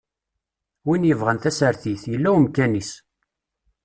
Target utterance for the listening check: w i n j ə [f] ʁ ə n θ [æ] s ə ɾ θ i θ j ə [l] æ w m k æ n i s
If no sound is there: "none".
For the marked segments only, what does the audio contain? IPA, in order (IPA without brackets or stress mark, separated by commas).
v, æ, lː